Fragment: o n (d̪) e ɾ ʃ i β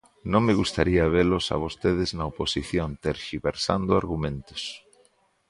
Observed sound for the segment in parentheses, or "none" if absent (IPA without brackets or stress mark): t̪